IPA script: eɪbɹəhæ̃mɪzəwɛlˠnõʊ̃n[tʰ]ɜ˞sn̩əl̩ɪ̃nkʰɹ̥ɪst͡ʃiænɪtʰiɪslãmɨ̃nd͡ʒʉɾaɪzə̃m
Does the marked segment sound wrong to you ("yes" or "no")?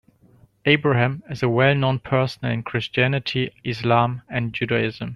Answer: yes